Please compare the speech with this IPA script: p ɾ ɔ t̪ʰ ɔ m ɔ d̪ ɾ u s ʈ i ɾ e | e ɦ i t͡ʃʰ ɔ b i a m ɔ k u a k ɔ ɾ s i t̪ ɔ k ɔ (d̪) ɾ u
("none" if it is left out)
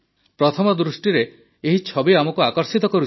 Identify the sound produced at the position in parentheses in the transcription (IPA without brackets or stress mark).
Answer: none